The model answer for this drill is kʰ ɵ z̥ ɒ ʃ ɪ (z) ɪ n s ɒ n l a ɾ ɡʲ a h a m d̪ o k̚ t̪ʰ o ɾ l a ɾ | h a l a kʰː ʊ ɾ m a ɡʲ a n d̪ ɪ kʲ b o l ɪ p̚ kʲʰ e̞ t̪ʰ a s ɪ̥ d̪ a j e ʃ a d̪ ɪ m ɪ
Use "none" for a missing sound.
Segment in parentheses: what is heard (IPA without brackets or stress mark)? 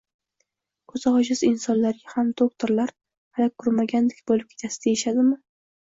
z